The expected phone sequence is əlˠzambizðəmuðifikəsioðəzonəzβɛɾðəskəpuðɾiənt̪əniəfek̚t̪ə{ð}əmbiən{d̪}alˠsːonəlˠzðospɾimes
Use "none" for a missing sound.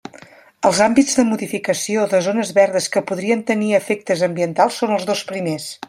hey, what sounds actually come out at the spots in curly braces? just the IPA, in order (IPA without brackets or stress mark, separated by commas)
z, t̪